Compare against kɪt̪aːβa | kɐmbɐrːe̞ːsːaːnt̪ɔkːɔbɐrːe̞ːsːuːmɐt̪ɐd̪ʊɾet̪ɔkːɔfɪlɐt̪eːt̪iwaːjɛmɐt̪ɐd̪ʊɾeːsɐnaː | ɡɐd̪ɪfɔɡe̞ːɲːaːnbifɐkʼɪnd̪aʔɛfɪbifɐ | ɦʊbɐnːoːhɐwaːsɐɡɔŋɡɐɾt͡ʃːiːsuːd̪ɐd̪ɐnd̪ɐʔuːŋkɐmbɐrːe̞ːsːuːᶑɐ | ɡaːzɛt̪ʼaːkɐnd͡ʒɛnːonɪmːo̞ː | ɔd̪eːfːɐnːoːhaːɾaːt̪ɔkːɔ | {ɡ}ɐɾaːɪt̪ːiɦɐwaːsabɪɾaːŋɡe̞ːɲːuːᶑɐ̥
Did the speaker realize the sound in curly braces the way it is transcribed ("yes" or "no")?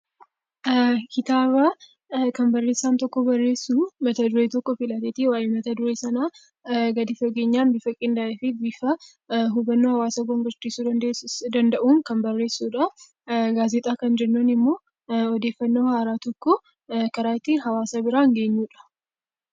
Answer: no